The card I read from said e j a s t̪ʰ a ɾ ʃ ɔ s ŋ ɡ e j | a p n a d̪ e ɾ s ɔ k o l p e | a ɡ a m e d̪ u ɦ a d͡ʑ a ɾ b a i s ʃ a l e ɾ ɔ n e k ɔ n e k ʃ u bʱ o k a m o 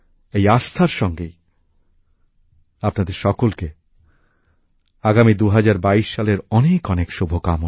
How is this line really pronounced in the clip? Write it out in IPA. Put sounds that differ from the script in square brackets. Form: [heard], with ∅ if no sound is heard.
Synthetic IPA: e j a s t̪ʰ a ɾ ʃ ɔ [∅] ŋ ɡ e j | a p n a d̪ e ɾ [ʃ] ɔ k o l [k] e | a ɡ a m [i] d̪ u ɦ a d͡ʑ a ɾ b a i [ʃ] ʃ a l e ɾ ɔ n e k ɔ n e k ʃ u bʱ o k a m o